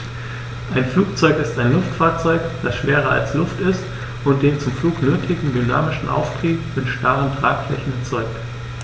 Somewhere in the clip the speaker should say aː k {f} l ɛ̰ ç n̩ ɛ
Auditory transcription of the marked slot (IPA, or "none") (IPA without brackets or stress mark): f